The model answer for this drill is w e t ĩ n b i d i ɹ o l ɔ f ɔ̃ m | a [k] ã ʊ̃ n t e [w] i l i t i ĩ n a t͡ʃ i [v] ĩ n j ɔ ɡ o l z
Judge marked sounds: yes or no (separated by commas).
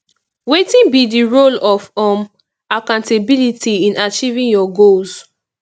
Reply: yes, no, yes